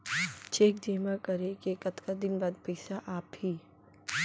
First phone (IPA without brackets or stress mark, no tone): t͡ʃ